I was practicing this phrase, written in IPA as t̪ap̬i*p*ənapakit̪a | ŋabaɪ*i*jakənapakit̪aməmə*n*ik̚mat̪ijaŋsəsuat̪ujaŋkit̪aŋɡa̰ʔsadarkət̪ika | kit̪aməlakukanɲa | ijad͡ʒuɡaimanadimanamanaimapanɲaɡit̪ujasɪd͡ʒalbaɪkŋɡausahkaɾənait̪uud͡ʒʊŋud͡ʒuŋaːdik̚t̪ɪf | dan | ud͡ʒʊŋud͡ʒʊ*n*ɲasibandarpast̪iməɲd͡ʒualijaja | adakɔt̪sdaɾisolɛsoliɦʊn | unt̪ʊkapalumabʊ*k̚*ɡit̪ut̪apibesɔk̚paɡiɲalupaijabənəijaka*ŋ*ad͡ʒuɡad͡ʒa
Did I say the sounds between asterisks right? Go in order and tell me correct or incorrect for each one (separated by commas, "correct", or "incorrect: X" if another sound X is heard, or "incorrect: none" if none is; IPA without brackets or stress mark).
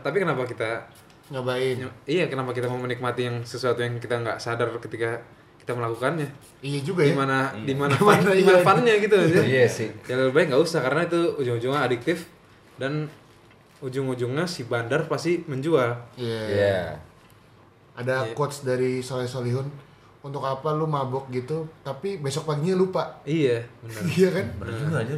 incorrect: k, correct, correct, incorrect: ŋ, correct, incorrect: n